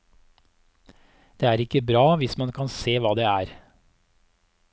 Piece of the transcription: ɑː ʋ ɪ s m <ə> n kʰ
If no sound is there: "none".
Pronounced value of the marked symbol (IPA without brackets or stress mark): ɑ